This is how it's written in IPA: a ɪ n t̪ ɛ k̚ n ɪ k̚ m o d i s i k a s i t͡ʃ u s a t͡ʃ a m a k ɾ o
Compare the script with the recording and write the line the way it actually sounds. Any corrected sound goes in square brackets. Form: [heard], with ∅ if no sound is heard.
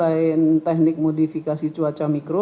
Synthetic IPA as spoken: a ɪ n t̪ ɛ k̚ n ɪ k̚ m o d i [f] i k a s i t͡ʃ u [∅] a t͡ʃ a m [i] k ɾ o